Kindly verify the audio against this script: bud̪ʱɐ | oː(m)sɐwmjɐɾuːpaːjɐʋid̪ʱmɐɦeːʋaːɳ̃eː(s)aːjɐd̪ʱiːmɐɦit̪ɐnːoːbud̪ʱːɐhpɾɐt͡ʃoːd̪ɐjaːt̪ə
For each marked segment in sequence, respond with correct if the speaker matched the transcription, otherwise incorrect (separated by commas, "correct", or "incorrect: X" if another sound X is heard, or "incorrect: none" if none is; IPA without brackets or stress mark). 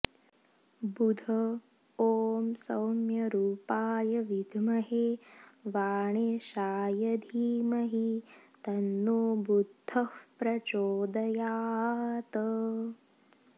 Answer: correct, incorrect: ʃ